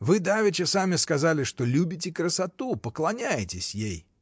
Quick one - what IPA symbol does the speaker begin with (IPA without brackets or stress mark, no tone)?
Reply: v